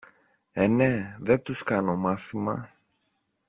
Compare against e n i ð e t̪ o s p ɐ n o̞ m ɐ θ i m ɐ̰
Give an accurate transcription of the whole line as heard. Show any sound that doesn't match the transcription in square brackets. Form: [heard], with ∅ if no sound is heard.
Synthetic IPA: e n [e] ð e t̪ [u] s [k] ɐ n o̞ m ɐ θ i m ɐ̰